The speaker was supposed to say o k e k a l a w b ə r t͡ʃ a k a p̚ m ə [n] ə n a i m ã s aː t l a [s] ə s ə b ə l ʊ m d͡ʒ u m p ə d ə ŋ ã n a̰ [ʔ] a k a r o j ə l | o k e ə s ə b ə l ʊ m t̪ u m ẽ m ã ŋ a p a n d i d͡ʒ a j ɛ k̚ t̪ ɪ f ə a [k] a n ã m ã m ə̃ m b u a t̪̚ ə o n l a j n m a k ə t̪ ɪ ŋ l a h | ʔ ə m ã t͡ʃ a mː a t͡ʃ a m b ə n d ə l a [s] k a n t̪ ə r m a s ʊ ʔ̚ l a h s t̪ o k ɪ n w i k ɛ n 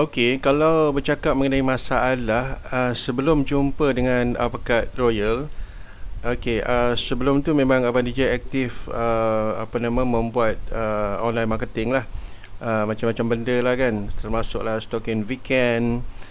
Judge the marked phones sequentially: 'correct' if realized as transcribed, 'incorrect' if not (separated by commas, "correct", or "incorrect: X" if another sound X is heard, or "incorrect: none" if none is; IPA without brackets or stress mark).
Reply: incorrect: ŋ, incorrect: h, incorrect: p, incorrect: p, incorrect: h